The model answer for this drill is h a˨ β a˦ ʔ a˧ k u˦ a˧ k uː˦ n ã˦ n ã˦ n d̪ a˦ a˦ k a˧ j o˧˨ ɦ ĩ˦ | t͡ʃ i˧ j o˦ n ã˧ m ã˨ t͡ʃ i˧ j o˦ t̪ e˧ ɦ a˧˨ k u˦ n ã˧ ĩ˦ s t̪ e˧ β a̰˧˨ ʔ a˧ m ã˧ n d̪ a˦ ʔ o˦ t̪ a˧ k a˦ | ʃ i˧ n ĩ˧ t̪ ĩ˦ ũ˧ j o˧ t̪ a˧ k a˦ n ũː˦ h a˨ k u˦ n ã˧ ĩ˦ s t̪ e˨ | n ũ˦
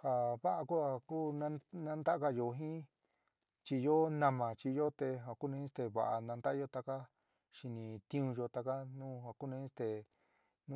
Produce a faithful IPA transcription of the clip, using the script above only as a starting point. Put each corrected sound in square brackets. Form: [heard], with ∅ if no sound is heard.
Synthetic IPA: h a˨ β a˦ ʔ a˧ k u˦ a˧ k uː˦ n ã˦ n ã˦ n d̪ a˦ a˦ k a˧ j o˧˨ ɦ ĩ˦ | t͡ʃ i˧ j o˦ n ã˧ m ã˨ t͡ʃ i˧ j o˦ t̪ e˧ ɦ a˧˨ k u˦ n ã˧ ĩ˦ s t̪ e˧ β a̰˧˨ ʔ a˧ [n] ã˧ n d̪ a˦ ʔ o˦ t̪ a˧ k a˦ | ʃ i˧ n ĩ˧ t̪ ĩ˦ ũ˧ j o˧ t̪ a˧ k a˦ n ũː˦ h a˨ k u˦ n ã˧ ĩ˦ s t̪ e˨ | n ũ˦